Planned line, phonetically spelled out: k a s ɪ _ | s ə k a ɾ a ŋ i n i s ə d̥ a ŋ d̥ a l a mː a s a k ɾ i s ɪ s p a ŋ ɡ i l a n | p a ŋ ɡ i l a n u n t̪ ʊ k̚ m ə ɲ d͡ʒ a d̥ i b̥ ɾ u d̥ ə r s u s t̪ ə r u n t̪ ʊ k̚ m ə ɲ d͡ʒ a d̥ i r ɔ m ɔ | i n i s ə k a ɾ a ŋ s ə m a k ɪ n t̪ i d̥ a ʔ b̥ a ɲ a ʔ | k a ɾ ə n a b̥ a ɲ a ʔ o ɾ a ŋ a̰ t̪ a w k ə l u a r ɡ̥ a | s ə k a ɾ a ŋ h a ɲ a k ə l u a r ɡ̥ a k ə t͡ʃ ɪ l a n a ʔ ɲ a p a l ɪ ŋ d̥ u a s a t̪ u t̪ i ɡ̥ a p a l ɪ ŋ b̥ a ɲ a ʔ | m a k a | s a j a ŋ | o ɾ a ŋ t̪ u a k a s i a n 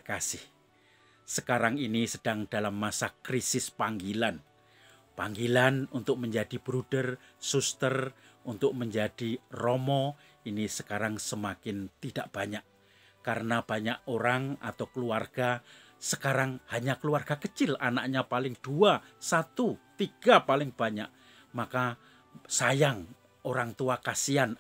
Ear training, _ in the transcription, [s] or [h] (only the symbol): h